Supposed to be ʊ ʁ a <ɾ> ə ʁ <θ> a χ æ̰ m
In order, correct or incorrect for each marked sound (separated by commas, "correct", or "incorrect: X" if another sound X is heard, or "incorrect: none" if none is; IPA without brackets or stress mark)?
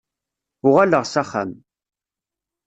incorrect: l, incorrect: s